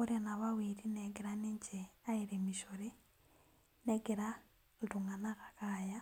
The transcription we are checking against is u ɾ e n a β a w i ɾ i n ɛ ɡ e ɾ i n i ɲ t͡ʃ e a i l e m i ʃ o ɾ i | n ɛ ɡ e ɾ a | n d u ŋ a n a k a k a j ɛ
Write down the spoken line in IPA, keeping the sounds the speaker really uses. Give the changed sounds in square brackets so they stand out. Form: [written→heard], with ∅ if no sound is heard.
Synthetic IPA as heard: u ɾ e n a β a w i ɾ i n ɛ ɡ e ɾ [i→a] n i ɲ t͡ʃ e a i [l→ɾ] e m i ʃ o ɾ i | n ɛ ɡ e ɾ a | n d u ŋ a n a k a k a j [ɛ→a]